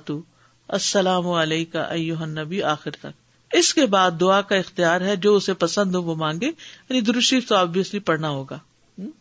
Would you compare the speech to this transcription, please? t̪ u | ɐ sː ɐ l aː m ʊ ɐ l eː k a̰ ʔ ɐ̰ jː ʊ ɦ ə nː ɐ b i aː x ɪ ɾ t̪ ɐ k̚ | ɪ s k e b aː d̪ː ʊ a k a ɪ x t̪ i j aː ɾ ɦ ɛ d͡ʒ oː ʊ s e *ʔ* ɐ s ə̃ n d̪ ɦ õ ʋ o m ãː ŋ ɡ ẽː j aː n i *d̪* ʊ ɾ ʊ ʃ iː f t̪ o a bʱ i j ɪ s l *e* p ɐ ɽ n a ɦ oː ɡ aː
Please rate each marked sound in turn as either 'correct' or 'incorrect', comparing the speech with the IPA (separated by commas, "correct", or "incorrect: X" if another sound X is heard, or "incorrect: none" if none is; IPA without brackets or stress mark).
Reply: incorrect: p, correct, incorrect: i